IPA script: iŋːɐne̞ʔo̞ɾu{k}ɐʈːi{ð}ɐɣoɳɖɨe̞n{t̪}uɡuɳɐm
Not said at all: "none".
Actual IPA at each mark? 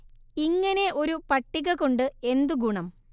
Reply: p, ɣ, d̪

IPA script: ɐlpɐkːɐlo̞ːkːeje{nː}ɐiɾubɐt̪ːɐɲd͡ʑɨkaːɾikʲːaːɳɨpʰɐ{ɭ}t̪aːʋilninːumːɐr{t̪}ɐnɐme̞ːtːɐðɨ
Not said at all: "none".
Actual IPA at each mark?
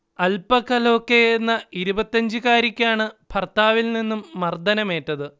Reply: nː, r, d̪

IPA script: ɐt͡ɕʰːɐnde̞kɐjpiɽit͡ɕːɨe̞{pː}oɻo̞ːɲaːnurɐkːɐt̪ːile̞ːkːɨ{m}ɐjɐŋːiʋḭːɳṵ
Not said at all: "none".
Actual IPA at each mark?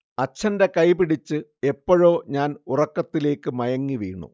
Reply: pː, m

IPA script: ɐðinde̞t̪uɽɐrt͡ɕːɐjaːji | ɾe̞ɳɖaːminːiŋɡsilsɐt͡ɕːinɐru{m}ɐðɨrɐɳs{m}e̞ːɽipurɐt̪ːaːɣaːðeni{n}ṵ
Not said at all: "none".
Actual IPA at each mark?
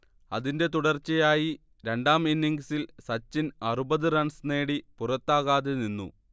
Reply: b, n, nː

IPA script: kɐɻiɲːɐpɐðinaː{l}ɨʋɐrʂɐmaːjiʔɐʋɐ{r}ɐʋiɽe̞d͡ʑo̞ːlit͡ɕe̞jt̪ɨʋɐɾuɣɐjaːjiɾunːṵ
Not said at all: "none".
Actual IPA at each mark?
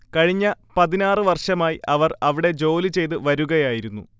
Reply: r, r

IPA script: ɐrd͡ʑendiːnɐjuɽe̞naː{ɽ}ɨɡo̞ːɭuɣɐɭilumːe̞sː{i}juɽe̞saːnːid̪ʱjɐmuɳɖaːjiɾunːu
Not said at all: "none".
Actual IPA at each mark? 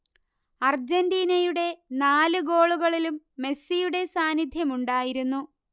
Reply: l, i

